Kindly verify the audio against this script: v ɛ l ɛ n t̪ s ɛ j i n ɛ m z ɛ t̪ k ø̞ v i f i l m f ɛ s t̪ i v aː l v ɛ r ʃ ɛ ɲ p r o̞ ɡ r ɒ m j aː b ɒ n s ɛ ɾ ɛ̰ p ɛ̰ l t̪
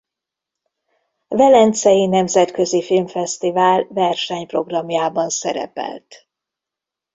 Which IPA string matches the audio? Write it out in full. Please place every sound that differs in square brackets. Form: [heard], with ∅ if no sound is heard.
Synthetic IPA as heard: v ɛ l ɛ n t̪ s ɛ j i n ɛ m z ɛ t̪ k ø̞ [z] i f i l m f ɛ s t̪ i v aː l v ɛ r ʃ ɛ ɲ p r o̞ ɡ r ɒ m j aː b ɒ n s ɛ ɾ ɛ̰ p ɛ̰ l t̪